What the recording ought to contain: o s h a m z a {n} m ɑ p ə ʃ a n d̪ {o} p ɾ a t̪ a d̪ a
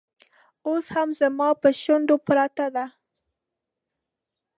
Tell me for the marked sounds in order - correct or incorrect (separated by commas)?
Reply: incorrect, correct